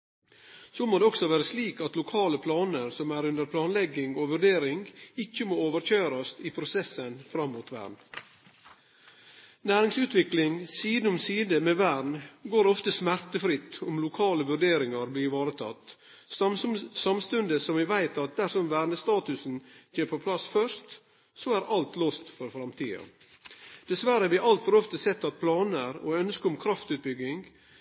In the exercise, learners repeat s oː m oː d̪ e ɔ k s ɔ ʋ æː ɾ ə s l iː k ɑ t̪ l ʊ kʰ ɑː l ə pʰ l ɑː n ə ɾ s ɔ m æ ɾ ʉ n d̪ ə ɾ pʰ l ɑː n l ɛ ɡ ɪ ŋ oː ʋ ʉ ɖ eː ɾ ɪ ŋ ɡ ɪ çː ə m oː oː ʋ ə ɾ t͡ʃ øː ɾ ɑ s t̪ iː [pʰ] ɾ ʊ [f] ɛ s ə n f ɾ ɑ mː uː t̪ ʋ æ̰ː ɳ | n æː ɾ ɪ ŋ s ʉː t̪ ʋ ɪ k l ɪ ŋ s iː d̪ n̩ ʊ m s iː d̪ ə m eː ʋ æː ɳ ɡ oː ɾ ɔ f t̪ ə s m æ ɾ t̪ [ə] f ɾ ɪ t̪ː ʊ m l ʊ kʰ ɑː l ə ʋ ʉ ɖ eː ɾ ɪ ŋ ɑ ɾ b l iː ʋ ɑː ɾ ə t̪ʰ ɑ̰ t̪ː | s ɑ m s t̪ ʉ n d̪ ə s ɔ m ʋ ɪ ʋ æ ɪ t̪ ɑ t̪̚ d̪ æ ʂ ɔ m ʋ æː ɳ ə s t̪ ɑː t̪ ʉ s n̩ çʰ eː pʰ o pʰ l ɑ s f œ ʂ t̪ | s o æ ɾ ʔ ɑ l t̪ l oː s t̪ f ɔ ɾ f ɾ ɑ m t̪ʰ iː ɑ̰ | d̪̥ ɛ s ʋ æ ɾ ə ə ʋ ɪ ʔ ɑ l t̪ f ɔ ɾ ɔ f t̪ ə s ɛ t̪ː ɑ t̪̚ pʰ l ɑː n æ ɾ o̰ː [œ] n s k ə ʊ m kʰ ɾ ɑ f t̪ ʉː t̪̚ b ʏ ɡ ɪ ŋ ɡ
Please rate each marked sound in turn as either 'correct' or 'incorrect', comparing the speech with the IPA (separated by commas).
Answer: correct, incorrect, correct, correct